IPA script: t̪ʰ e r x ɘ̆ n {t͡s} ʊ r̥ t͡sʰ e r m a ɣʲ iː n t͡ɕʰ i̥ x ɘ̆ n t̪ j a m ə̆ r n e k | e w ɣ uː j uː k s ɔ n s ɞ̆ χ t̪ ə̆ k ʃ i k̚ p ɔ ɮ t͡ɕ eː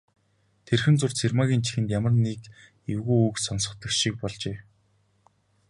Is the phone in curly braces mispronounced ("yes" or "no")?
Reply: no